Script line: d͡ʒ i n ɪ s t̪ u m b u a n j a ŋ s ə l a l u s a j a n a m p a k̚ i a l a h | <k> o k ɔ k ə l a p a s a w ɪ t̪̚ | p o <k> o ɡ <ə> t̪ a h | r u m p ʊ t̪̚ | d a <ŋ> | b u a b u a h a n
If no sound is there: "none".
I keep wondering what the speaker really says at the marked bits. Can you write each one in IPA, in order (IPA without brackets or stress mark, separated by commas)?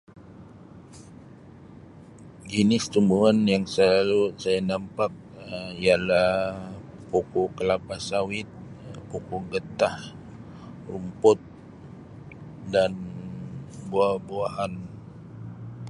p, k, ə, n